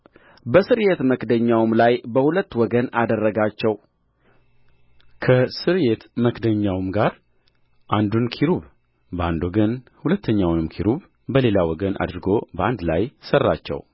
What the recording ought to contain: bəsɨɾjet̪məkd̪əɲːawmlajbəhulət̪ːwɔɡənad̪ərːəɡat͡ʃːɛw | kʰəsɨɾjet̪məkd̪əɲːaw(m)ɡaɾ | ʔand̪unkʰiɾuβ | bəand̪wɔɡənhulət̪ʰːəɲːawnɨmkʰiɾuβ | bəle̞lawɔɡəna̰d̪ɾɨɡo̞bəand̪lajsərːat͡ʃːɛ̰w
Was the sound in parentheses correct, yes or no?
yes